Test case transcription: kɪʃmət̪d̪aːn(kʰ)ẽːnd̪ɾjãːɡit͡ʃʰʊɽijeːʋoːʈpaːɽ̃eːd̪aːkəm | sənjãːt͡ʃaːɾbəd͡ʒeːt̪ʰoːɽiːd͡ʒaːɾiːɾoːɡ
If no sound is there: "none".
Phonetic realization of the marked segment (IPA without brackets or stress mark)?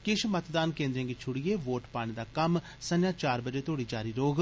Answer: k